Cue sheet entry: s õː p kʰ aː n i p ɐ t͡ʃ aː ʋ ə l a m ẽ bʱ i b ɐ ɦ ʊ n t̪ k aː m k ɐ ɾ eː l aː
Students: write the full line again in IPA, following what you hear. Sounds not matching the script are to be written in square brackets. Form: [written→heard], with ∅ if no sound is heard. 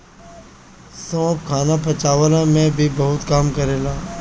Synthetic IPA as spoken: s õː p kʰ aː n [i→a] p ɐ t͡ʃ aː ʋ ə l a m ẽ bʱ i b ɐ ɦ ʊ [n→∅] t̪ k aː m k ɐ ɾ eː l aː